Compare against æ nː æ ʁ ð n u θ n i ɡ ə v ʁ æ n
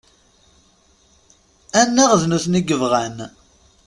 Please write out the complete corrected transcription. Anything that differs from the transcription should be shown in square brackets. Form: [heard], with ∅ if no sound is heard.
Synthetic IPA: æ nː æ ʁ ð n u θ n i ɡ ə v ʁ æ n